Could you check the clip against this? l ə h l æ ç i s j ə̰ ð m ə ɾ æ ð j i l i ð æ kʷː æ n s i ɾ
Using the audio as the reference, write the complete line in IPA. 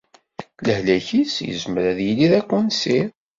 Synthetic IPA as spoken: l ə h l æ ç i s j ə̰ z m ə ɾ æ ð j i l i ð æ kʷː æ n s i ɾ